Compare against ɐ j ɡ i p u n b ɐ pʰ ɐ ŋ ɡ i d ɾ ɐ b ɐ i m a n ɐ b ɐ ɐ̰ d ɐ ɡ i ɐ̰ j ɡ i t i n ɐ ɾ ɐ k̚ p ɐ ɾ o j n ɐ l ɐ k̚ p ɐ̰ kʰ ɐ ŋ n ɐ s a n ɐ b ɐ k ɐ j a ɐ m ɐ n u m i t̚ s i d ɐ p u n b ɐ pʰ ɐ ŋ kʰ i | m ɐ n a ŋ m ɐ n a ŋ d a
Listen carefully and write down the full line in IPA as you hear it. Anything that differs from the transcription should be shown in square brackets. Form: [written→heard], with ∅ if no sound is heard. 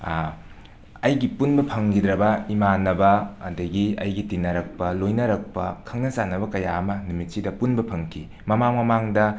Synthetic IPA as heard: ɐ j ɡ i p u n b ɐ pʰ ɐ ŋ ɡ i d ɾ ɐ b ɐ i m a n ɐ b ɐ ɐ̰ d ɐ ɡ i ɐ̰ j ɡ i t i n ɐ ɾ ɐ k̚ p ɐ [ɾ→l] o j n ɐ [l→ɾ] ɐ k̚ p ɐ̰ kʰ ɐ ŋ n ɐ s a n ɐ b ɐ k ɐ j a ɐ m ɐ n u m i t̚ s i d ɐ p u n b ɐ pʰ ɐ ŋ kʰ i | m ɐ [n→m] a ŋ m ɐ [n→m] a ŋ d [a→ɐ]